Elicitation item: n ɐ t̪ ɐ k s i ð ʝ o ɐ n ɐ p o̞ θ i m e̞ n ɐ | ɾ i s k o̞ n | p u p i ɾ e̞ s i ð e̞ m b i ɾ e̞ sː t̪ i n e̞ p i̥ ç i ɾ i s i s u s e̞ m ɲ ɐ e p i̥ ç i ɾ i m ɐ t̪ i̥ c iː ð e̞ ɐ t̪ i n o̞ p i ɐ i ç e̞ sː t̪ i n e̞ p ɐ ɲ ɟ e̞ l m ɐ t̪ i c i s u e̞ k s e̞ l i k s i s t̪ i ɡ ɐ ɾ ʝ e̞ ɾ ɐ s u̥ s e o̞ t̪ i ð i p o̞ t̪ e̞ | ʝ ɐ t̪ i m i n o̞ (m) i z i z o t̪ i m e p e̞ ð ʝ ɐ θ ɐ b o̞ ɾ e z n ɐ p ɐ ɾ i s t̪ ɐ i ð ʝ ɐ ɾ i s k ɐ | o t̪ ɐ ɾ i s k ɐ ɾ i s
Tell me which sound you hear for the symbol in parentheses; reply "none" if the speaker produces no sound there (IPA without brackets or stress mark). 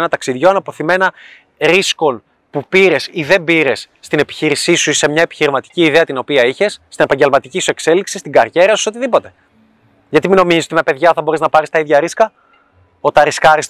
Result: m